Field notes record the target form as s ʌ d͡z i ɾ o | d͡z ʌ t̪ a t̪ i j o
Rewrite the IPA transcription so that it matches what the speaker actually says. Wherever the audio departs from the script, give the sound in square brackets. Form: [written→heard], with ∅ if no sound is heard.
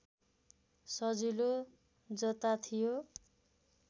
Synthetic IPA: s ʌ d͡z i [ɾ→l] o | d͡z ʌ t̪ a [t̪→t̪ʰ] i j o